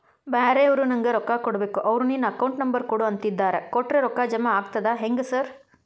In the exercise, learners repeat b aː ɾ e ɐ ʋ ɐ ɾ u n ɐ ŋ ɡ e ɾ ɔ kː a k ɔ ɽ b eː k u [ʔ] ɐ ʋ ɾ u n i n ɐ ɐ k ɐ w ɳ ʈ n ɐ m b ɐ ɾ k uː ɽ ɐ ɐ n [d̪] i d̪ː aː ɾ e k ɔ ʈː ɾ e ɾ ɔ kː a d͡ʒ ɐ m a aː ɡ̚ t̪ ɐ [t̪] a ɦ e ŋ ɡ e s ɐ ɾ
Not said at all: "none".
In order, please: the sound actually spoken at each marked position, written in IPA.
ʔ, t̪, d̪

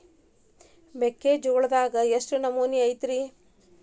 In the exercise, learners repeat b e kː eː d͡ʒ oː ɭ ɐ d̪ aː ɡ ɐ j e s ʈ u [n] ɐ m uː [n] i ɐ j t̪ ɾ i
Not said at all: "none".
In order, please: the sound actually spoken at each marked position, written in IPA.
n, n

